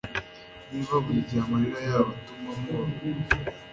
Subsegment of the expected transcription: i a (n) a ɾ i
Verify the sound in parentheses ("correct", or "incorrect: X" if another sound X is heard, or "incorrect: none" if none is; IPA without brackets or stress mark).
incorrect: m